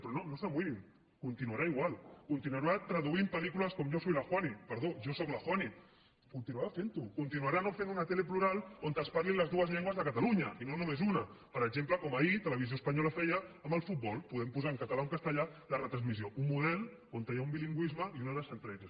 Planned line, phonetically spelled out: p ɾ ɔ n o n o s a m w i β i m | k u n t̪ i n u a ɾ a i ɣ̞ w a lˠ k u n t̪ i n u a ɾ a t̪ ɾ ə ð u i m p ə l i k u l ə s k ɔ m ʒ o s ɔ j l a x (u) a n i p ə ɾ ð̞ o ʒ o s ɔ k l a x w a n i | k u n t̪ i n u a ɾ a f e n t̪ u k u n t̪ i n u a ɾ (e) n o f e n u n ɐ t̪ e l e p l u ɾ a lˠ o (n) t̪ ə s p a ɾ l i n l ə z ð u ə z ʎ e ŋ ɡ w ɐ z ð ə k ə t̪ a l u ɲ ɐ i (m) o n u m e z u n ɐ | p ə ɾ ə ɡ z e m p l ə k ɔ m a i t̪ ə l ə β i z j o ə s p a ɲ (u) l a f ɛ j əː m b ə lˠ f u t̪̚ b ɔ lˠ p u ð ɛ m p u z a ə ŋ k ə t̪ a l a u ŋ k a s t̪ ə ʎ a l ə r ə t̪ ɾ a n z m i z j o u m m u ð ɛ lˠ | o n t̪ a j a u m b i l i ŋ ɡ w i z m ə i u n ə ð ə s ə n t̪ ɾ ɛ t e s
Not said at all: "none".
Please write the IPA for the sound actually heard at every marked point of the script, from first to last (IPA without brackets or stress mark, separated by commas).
w, a, n, n, ɔ